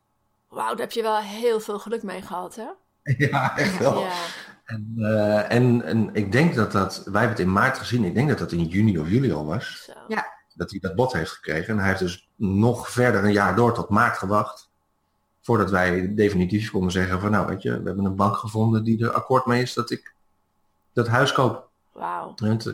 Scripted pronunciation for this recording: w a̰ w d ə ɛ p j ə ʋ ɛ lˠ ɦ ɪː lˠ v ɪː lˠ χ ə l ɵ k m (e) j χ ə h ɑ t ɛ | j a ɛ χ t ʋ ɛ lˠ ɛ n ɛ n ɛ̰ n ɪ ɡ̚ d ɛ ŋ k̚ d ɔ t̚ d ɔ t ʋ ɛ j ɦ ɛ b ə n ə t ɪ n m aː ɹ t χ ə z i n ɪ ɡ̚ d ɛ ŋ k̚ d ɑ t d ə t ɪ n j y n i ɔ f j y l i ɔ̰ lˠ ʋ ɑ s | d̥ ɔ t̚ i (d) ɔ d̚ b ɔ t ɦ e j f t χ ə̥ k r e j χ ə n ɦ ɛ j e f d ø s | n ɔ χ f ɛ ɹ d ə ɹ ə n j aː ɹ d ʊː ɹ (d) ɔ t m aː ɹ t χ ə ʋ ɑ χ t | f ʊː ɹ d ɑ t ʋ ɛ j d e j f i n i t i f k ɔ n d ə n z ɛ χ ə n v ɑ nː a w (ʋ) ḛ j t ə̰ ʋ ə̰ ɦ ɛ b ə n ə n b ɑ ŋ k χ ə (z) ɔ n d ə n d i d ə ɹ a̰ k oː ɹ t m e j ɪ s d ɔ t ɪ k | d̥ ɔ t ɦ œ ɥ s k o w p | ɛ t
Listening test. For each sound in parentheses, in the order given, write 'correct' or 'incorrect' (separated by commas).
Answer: correct, correct, incorrect, correct, incorrect